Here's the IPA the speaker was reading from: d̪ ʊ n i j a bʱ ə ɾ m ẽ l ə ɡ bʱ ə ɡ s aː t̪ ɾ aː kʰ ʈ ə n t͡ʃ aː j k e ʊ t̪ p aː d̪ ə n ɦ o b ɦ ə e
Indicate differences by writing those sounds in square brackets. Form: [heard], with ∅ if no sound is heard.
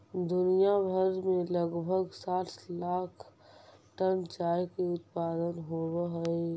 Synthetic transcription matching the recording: d̪ ʊ n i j a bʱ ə ɾ m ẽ l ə ɡ bʱ ə ɡ s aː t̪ [l] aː kʰ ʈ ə n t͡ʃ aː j k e ʊ t̪ p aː d̪ ə n ɦ o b ɦ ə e